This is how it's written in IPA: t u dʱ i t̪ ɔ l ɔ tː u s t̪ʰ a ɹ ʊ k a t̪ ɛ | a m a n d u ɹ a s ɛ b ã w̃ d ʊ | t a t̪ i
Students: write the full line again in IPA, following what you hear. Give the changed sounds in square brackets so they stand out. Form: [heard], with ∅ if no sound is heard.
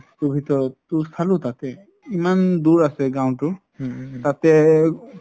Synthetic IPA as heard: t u [bʱ] i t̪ ɔ [ɹ] ɔ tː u s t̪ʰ a [l] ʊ [t] a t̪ ɛ | [i] m a n d u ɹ a s ɛ [ɡ] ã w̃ [t] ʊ | t a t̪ [ɛ]